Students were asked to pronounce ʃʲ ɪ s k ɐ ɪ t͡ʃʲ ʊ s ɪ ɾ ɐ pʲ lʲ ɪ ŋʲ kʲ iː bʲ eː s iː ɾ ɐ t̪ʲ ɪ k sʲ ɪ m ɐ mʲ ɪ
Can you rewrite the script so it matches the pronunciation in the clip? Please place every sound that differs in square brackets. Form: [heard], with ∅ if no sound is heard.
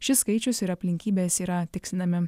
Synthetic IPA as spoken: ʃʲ ɪ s k ɐ ɪ t͡ʃʲ ʊ s ɪ ɾ ɐ pʲ lʲ ɪ ŋʲ kʲ iː bʲ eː s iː ɾ ɐ t̪ʲ ɪ k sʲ ɪ [n] ɐ mʲ ɪ